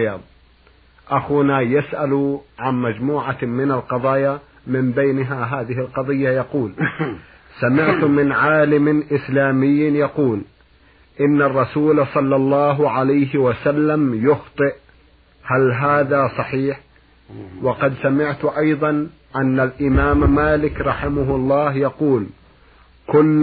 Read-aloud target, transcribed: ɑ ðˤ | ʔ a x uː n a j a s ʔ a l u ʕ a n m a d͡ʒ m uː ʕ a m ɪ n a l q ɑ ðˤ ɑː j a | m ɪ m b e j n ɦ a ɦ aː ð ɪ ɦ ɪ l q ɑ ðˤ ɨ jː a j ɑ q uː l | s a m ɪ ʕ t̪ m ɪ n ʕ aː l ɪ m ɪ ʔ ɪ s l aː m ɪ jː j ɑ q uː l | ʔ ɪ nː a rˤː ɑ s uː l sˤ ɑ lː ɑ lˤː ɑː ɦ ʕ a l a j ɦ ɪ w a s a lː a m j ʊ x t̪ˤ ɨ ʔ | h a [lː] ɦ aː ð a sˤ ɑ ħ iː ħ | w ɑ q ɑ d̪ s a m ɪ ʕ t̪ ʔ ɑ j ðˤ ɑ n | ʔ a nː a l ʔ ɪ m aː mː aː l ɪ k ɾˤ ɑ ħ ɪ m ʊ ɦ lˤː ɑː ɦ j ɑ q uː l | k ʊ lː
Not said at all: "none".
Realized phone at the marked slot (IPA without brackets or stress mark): l